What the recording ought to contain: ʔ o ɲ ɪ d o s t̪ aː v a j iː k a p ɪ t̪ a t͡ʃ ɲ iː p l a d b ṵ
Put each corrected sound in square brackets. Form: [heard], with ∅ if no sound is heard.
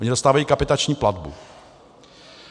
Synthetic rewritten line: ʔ o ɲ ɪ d o s t̪ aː v a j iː k a p ɪ t̪ a t͡ʃ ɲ iː p l a d b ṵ